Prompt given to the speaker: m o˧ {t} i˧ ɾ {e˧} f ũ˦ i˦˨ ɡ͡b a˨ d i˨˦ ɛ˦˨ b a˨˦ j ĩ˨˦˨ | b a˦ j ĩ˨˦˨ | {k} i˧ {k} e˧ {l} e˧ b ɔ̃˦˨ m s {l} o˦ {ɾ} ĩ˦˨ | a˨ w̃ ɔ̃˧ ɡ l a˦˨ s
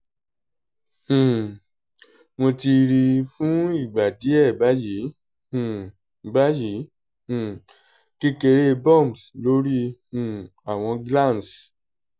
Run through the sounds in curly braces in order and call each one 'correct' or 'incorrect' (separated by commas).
correct, incorrect, correct, correct, incorrect, correct, correct